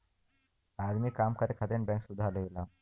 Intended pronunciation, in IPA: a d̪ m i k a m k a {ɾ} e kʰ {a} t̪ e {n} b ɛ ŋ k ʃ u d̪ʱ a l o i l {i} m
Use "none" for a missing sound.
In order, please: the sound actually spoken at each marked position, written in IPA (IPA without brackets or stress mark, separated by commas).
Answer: ɾ, a, n, a